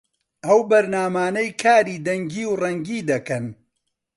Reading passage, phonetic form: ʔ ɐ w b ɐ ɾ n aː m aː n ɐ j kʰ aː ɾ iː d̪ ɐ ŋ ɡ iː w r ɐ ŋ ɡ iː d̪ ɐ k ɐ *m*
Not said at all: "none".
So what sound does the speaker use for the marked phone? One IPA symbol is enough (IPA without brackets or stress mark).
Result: n